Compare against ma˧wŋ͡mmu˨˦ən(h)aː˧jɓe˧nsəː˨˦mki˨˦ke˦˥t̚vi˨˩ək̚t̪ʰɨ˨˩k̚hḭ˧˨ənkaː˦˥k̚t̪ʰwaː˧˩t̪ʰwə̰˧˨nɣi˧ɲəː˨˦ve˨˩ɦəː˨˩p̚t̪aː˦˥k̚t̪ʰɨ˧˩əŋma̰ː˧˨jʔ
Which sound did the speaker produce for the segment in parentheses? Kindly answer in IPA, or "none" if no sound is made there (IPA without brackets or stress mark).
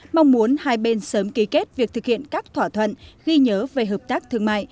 h